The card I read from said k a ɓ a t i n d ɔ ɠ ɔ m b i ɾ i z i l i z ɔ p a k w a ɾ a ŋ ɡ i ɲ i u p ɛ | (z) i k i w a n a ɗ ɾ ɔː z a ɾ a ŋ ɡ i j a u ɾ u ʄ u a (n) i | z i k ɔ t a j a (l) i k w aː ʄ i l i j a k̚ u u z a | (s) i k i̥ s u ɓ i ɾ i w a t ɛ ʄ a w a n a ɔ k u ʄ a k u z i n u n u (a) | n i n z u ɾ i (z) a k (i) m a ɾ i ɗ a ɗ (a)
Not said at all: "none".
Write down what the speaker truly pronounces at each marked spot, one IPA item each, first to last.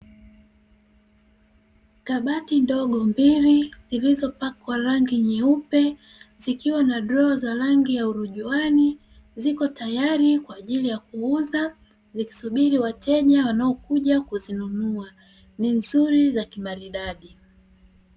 z, n, ɾ, z, a, z, i, i

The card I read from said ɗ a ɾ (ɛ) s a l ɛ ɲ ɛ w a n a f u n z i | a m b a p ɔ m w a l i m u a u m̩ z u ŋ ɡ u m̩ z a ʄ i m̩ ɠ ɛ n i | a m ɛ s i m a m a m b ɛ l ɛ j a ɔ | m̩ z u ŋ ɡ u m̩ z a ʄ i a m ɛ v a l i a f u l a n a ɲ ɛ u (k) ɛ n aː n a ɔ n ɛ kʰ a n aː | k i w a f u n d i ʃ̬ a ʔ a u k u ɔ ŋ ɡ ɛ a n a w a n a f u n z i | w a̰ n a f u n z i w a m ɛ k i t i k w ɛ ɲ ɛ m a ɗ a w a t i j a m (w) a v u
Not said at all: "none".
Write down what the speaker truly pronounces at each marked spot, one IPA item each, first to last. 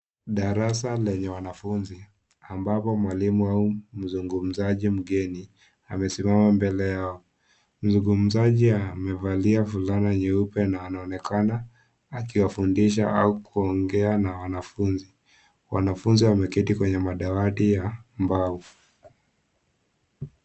a, p, b

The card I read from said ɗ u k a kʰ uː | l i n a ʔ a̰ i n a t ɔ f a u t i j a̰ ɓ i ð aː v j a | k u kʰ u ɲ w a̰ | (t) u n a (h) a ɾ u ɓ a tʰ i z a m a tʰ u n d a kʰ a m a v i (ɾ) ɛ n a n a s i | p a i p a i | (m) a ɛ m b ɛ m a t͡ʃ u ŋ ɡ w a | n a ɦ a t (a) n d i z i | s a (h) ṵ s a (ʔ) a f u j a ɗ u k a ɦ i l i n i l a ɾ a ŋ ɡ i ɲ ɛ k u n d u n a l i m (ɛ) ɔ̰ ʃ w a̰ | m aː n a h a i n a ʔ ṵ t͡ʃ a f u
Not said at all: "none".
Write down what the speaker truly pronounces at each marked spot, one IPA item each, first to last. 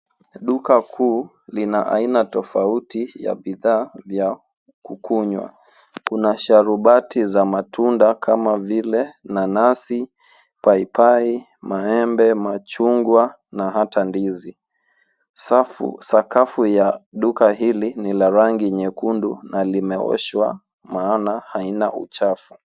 k, ʃ, l, m, a, f, k, ɛ

